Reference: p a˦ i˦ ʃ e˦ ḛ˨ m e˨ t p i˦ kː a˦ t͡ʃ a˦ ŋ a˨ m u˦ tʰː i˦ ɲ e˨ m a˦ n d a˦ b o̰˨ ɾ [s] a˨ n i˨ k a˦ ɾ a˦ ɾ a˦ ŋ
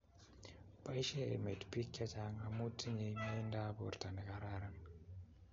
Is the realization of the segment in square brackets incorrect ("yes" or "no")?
yes